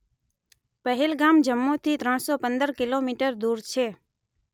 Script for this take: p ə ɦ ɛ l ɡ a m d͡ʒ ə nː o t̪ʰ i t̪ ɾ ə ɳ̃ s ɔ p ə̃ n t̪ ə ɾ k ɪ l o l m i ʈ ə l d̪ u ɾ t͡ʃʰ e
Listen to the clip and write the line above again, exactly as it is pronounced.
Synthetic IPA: p ə ɦ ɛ l ɡ a m d͡ʒ ə mː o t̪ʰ i t̪ ɾ ə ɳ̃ s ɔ p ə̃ n d̪ ə ɾ k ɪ l o m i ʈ ə ɾ d̪ u ɾ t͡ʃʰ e

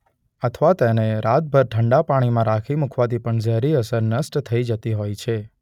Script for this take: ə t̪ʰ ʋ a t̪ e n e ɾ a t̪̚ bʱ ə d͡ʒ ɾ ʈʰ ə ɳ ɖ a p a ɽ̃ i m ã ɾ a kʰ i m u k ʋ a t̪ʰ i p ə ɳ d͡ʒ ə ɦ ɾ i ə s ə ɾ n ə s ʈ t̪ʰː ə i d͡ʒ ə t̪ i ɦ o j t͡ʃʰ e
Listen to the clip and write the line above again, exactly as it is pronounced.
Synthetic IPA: ə t̪ʰ ʋ a t̪ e n e ɾ a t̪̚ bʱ ə ɾ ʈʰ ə ɳ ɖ a p a ɽ̃ i m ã ɾ a kʰ i m u kʰ ʋ a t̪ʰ i p ə ɳ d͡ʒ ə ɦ ɾ i ə s ə ɾ n ə s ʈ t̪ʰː ə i d͡ʒ ə t̪ i ɦ o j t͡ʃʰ e

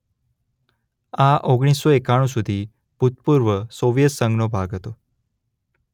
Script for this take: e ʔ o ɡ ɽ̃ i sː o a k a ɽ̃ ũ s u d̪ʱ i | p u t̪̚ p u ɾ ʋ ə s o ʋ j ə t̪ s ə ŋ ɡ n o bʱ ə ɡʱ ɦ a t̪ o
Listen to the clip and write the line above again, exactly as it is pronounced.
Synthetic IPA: a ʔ o ɡ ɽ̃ i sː o e k a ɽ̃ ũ s u d̪ʱ i | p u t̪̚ p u ɾ ʋ ə s o ʋ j ə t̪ s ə ŋ ɡ n o bʱ a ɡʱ ɦ ə t̪ o

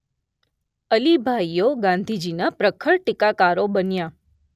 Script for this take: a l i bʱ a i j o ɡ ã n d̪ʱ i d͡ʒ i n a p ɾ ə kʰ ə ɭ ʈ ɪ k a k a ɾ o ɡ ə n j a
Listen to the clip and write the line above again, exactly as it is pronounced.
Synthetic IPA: ə l i bʱ a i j o ɡ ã n d̪ʱ i d͡ʒ i n a p ɾ ə kʰ ə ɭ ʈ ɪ k a k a ɾ o b ə n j a

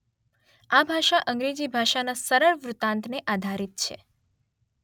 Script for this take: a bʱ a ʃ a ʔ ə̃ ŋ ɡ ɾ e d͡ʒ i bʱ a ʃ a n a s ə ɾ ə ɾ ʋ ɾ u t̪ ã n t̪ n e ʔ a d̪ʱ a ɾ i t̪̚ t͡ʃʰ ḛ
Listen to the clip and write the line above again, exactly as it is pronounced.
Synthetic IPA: a bʱ a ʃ a ʔ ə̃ ŋ ɡ ɾ e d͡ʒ i bʱ a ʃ a n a s ə ɾ ə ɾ ʋ ɾ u t̪ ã n t̪ n e ʔ a d̪ʱ a ɾ i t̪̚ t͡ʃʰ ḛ

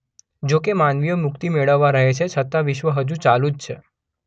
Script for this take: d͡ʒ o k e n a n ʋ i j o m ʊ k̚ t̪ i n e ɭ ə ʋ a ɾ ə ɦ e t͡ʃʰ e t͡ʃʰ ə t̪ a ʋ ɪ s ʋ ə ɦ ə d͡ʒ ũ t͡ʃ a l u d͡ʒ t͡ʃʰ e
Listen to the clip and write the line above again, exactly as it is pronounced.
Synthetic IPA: d͡ʒ o k e m a n ʋ i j o m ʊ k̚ t̪ i m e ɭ ə ʋː a ɾ ə ɦ e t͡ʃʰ e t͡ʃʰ ə t̪ a ʋ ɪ ʃ ʋ ə ɦ ə d͡ʒ ũ t͡ʃ a l u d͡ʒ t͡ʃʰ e

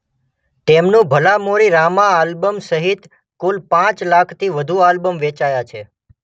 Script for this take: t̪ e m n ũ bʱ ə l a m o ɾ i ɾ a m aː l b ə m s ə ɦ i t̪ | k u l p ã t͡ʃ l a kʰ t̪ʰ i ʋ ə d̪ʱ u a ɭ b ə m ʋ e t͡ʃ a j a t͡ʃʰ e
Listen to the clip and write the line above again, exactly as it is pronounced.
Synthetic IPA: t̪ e m n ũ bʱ ə l a m o ɾ i ɾ a m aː l b ə m s ə ɦ i t̪ | k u l p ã t͡ʃ l a kʰ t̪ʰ i ʋ ə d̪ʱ u a l b ə m ʋ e t͡ʃ a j a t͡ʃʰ e

